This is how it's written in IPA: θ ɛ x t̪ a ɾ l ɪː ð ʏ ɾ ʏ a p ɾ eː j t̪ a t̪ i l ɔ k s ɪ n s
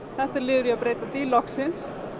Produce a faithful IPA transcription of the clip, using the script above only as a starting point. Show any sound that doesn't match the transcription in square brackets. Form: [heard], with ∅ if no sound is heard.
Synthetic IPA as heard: θ ɛ [h] t̪ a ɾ l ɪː ð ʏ ɾ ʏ a p ɾ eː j t̪ a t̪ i l ɔ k s ɪ n s